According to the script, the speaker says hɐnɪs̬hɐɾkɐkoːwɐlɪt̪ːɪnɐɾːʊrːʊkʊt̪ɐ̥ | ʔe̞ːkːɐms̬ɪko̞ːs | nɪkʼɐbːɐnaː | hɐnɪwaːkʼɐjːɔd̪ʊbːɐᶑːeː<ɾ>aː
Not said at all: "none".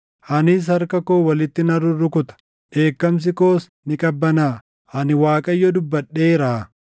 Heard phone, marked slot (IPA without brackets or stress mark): ɾ